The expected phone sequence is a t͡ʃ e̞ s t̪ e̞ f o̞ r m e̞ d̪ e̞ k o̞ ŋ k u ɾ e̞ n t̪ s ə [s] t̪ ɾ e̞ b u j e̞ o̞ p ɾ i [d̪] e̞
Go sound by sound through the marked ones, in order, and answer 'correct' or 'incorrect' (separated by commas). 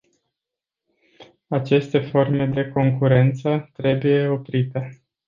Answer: incorrect, incorrect